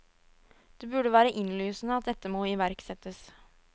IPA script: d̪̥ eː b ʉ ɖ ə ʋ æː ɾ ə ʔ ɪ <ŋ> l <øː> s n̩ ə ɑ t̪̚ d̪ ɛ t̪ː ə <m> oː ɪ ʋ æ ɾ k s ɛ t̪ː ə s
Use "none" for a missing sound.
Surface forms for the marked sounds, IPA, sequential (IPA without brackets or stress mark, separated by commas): n, yː, m